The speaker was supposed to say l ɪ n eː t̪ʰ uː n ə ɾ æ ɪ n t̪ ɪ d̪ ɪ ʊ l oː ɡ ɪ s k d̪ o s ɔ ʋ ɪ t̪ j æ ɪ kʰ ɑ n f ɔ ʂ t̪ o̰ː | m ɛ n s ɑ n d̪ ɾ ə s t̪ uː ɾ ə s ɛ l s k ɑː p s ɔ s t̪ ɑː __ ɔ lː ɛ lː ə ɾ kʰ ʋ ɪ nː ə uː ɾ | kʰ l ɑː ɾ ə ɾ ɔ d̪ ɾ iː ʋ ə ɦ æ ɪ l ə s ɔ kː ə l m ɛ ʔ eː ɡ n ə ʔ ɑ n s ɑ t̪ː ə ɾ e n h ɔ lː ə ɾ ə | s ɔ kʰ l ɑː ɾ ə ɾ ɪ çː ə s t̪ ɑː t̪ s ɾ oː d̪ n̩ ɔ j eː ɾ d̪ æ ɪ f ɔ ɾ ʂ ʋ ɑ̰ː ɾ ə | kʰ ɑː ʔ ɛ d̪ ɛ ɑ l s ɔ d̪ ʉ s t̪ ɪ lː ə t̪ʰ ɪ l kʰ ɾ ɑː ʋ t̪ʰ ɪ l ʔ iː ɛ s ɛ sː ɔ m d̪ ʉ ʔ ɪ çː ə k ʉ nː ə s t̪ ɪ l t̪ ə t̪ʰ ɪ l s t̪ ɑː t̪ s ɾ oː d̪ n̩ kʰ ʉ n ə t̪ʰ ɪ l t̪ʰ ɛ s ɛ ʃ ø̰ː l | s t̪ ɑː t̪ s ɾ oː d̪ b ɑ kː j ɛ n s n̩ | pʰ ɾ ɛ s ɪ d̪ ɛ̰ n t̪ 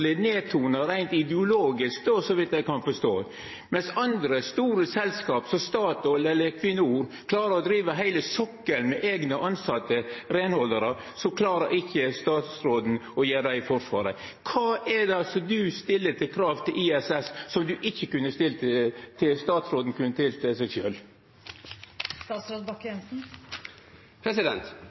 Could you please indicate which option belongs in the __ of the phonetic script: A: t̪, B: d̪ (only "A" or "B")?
A